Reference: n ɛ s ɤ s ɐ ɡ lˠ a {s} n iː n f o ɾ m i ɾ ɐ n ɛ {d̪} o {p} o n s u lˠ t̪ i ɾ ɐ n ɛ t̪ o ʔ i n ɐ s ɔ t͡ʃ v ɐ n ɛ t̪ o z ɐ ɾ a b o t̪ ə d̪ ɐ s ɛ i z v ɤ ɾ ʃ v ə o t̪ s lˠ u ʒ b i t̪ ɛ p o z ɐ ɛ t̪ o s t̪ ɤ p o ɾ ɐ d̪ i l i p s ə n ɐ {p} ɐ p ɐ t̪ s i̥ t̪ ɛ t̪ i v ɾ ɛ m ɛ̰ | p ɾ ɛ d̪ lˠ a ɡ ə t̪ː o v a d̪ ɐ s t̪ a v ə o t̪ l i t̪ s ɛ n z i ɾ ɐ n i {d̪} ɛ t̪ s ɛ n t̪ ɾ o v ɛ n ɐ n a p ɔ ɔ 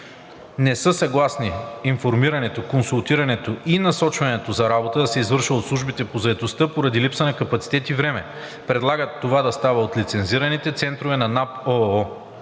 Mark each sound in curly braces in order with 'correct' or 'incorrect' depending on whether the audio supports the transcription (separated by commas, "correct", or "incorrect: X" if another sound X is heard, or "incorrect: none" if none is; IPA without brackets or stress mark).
correct, incorrect: t̪, incorrect: k, incorrect: k, incorrect: t̪